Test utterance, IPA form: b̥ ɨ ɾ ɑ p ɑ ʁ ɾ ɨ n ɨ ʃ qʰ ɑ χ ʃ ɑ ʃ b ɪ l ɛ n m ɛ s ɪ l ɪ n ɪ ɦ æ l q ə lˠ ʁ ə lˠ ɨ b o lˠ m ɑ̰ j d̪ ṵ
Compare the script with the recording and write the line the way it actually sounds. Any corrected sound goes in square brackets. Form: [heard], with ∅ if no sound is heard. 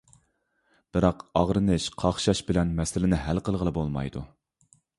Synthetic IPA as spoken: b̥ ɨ ɾ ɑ [q] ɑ ʁ ɾ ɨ n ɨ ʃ qʰ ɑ χ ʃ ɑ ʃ b ɪ l ɛ n m ɛ s ɪ l ɪ n ɪ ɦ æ l q ə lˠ ʁ ə lˠ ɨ b o lˠ m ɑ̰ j d̪ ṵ